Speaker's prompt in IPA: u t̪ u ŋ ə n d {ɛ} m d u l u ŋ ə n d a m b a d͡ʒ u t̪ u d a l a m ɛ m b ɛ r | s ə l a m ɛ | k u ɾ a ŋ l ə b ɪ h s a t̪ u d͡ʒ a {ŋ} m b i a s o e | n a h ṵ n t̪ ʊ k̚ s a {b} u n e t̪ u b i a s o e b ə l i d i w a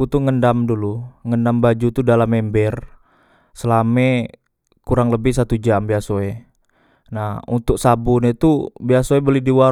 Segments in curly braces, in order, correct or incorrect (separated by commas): incorrect, incorrect, correct